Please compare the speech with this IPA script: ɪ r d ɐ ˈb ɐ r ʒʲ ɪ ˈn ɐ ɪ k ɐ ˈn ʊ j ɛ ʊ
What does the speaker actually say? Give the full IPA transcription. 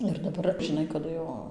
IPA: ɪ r d ɐ ˈb ɐ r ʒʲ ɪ ˈn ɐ ɪ k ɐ ˈd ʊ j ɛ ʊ